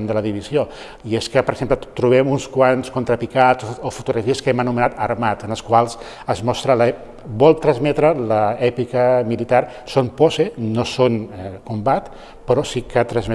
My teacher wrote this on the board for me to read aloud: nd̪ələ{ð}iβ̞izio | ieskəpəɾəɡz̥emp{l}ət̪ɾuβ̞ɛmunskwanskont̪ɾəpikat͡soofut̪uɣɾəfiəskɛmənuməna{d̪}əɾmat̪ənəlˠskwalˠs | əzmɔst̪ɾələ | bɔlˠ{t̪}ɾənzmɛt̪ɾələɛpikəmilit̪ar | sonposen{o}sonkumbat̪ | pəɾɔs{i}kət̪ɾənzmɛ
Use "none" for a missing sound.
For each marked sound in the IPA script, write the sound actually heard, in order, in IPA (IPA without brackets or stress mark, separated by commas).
ð, l, t̪, t̪, o, i